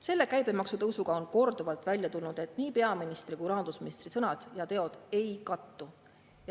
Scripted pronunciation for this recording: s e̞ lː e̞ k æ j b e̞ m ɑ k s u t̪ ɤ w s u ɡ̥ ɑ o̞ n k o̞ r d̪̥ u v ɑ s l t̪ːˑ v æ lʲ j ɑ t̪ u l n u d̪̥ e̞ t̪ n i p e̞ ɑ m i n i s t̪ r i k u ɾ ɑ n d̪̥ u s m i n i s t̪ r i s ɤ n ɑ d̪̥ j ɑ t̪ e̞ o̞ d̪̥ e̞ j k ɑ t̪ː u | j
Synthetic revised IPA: s e̞ lː e̞ k æ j b e̞ m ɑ k s u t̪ ɤ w s u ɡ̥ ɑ o̞ n k o̞ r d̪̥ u v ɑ l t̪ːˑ v æ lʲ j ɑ t̪ u l n u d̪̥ e̞ t̪ n iː p e̞ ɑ m i n i s t̪ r i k u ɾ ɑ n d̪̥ u s m i n i s t̪ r i s ɤ n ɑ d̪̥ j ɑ t̪ e̞ o̞ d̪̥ e̞ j k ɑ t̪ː u | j